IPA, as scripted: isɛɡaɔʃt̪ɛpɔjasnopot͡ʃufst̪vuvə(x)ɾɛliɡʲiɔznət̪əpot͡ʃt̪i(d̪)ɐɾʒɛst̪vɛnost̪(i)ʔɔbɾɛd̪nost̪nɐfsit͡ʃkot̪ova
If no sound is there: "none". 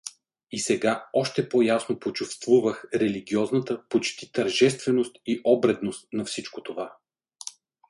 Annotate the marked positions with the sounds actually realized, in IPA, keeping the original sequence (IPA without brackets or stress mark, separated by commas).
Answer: x, t̪, i